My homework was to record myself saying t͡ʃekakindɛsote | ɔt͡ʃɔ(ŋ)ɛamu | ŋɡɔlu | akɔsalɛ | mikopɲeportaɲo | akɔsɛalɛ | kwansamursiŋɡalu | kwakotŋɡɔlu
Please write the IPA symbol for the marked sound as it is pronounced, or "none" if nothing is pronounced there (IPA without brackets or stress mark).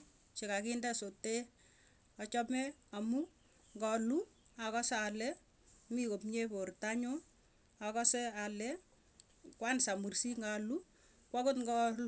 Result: m